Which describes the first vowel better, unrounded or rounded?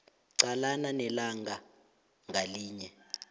unrounded